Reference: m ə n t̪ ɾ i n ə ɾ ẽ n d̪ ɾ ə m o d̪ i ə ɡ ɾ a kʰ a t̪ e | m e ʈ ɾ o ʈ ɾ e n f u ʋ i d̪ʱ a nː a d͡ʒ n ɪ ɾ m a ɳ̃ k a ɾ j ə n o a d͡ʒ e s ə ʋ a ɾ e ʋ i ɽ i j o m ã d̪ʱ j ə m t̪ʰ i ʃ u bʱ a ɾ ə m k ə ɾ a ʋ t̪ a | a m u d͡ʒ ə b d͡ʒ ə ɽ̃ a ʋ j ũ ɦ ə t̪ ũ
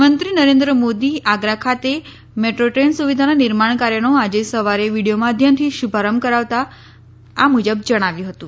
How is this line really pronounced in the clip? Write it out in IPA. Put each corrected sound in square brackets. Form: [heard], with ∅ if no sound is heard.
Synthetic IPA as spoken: m ə n t̪ ɾ i n ə ɾ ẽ n d̪ ɾ ə m o d̪ i [a] ɡ ɾ a kʰ a t̪ e | m e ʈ ɾ o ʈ ɾ e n [s] u ʋ i d̪ʱ a [n] a [∅] n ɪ ɾ m a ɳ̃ k a ɾ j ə n o a d͡ʒ e s ə ʋ a ɾ e ʋ i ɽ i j o m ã d̪ʱ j ə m t̪ʰ i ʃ u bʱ a ɾ ə m k ə ɾ a ʋ t̪ a | a m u d͡ʒ ə b d͡ʒ ə ɽ̃ a ʋ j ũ ɦ ə t̪ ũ